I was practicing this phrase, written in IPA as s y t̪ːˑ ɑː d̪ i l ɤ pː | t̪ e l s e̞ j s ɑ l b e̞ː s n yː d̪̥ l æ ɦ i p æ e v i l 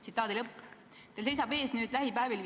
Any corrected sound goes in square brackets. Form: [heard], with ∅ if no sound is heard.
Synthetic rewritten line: s [i] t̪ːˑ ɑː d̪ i l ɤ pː | t̪ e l s e̞ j s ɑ [∅] b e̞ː s n yː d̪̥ l æ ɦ i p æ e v i l